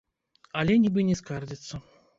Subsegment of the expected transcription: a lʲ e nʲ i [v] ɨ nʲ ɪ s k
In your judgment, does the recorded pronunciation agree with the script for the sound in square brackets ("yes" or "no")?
no